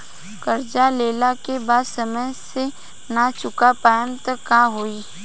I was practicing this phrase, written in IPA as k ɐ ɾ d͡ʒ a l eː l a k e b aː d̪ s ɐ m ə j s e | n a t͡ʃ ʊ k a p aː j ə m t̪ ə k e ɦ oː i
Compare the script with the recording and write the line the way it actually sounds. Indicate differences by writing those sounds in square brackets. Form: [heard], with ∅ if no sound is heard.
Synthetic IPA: k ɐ ɾ d͡ʒ a l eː l a k e b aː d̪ s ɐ m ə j s e | n a t͡ʃ ʊ k a p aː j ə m t̪ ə k [a] ɦ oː i